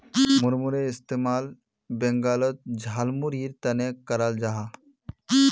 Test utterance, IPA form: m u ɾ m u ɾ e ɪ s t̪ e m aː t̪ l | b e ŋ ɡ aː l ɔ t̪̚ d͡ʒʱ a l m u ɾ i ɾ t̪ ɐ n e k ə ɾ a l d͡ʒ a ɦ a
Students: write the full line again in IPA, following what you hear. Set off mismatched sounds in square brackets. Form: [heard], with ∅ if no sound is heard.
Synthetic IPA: m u ɾ m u ɾ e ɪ s t̪ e m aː [∅] l | b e ŋ ɡ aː l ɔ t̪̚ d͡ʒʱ a l m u ɾ i ɾ t̪ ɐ n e k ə ɾ a l d͡ʒ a ɦ a